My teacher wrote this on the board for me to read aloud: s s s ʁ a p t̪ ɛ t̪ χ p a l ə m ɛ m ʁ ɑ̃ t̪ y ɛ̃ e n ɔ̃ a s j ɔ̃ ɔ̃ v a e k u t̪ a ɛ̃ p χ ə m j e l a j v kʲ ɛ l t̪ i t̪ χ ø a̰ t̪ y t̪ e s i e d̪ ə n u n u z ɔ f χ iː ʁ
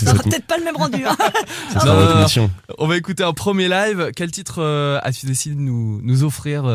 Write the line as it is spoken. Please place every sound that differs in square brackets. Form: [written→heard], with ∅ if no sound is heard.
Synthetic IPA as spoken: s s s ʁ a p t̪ ɛ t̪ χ p a l ə m ɛ m ʁ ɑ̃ [t̪→d̪] y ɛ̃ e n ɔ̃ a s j ɔ̃ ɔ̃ v a e k u t̪ [a→e] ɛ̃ p χ ə m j e l a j v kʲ ɛ l t̪ i t̪ χ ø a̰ t̪ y [t̪→d̪] e s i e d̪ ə n u n u z ɔ f χ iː ʁ